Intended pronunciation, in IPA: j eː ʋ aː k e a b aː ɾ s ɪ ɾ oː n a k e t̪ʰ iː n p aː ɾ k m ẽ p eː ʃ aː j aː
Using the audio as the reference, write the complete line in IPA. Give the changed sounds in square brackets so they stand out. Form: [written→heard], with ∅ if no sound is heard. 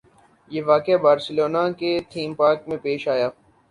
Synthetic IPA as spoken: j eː ʋ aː k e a b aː ɾ s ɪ [ɾ→l] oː n a k e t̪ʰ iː [n→m] p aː ɾ k m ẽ p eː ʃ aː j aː